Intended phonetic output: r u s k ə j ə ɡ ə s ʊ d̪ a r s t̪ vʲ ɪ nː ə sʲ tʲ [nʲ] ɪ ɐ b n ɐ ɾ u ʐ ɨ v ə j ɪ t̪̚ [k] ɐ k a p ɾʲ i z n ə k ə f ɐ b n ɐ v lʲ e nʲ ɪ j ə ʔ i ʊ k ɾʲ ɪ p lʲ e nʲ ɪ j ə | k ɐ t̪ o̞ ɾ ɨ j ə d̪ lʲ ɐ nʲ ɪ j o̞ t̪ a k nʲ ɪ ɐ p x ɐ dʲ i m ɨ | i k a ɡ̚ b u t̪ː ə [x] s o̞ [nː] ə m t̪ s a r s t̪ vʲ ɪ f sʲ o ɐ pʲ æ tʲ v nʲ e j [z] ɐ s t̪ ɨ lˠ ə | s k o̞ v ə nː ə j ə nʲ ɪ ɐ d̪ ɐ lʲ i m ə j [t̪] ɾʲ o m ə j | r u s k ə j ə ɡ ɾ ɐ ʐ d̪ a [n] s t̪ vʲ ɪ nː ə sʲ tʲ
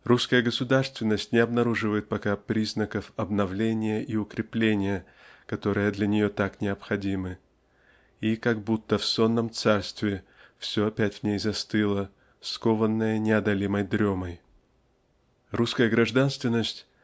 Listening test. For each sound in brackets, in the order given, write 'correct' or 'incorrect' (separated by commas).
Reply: correct, incorrect, incorrect, correct, correct, incorrect, correct